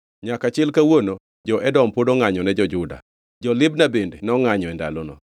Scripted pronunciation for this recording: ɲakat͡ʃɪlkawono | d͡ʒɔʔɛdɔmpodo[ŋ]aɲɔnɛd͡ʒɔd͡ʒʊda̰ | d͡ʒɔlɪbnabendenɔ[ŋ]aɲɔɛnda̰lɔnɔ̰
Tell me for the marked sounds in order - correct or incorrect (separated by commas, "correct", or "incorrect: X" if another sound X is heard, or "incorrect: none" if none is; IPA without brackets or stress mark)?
correct, correct